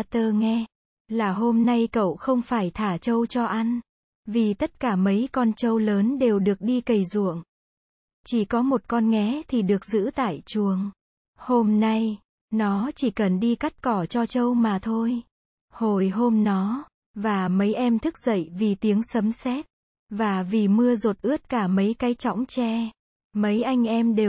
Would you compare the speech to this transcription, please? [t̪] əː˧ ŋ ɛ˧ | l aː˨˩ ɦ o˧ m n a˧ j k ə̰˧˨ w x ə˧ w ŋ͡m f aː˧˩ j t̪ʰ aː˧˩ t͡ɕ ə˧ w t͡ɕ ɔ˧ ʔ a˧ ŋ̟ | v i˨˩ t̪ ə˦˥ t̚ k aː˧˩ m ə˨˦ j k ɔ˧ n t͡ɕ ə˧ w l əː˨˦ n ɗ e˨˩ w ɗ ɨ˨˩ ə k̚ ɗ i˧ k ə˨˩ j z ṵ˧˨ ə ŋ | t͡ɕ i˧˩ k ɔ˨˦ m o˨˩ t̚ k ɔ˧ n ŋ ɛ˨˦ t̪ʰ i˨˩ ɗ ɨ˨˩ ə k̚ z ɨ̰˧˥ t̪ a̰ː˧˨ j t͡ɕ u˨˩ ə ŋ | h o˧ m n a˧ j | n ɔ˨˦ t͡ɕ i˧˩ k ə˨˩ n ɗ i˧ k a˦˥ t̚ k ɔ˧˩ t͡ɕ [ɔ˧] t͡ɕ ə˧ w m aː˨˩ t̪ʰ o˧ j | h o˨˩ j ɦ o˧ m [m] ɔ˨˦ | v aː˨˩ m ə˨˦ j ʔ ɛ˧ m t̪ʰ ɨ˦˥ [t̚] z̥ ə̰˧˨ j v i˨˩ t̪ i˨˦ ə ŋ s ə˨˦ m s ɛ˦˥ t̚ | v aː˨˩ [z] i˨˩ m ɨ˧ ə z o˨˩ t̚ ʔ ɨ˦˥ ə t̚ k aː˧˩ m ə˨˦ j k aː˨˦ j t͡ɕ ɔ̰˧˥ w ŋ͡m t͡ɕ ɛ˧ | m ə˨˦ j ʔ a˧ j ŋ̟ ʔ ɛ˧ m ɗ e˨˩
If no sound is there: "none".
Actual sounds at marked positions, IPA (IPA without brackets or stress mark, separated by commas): t̪, ɔ˧, n, k̚, v